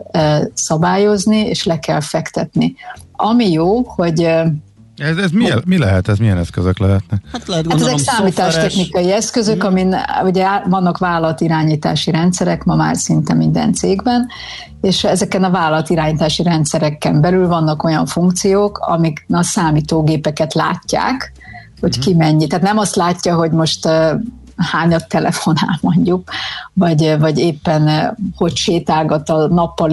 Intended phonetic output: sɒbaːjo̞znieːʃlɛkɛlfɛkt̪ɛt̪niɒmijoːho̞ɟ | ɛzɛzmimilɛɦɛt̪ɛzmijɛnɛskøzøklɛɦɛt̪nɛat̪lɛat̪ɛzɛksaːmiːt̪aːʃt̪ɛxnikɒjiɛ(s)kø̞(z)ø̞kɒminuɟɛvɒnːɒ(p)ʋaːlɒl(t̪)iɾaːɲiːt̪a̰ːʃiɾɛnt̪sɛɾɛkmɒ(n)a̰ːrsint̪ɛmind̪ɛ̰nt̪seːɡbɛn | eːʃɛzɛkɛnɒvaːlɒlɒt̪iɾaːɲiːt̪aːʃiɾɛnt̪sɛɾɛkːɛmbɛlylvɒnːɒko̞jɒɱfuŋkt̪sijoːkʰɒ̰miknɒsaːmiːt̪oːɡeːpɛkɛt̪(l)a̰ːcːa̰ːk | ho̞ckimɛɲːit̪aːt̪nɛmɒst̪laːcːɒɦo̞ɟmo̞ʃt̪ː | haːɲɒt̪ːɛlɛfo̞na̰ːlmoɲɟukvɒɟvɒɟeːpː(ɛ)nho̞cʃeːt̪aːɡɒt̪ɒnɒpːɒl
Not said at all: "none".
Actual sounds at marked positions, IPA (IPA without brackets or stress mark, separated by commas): s, z, k, t̪, m, l, ɛ